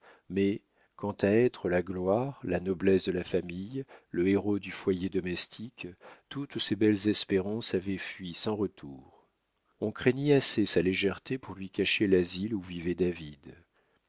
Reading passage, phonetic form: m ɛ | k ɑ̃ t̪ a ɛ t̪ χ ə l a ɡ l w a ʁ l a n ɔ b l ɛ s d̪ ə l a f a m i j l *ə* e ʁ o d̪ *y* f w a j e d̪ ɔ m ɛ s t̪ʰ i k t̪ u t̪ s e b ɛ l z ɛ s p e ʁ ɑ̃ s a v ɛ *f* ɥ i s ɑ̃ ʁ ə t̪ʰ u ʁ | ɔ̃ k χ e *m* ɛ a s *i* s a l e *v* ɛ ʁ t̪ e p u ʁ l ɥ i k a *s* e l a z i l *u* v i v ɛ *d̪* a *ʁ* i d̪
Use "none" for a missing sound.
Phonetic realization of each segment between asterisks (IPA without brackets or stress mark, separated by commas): ə, y, f, ɲ, e, ʒ, ʃ, u, d̪, v